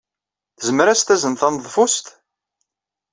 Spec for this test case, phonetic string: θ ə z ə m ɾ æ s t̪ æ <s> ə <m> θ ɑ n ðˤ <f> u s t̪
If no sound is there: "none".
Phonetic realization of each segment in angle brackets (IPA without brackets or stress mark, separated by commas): z, n, f